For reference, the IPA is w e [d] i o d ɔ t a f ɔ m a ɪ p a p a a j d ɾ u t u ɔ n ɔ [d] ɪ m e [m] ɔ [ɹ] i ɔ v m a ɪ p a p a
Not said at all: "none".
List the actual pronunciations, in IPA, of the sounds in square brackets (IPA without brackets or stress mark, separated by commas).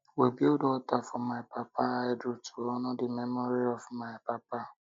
b, d, m, ɾ